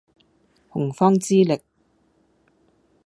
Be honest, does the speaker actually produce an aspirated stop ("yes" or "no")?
no